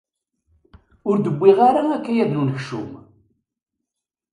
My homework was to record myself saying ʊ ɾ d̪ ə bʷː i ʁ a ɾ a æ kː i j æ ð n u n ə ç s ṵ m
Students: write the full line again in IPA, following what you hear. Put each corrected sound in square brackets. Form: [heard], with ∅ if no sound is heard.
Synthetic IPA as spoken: ʊ ɾ d̪ ə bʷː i ʁ a ɾ a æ kː [æ] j æ ð n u n ə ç [ʃ] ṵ m